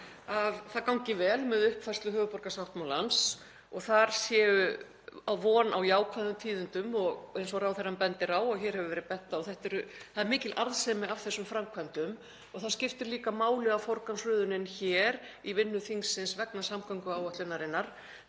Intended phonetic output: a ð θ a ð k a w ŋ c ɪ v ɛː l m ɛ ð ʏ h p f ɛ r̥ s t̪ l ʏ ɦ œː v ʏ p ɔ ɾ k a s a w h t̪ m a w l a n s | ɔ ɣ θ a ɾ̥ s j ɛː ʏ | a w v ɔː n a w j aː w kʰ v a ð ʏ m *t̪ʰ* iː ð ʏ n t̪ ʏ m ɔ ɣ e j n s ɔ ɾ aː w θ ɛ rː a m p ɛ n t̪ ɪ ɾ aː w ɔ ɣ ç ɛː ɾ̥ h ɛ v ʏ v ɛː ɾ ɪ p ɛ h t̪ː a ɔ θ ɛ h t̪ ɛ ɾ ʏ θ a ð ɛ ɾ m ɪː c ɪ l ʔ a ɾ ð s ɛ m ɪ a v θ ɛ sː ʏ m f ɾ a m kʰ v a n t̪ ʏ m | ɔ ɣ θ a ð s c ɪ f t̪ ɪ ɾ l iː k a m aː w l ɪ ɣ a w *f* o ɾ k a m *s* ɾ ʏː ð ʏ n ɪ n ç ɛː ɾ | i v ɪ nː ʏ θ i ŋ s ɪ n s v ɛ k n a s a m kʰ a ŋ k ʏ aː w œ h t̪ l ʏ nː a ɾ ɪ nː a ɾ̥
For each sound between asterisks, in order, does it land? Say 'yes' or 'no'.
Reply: yes, yes, yes

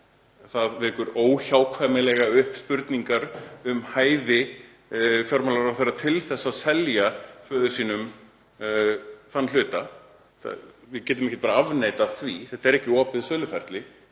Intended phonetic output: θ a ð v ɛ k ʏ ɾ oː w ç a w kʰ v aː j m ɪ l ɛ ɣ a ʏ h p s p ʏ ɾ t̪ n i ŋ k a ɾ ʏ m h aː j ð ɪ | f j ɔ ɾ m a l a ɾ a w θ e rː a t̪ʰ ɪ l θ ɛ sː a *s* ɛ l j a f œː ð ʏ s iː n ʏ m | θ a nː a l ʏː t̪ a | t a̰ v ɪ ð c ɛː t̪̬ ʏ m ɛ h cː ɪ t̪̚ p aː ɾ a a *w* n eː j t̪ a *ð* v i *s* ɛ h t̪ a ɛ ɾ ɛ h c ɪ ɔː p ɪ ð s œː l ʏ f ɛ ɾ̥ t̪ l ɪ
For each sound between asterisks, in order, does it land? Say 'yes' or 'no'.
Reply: yes, no, no, no

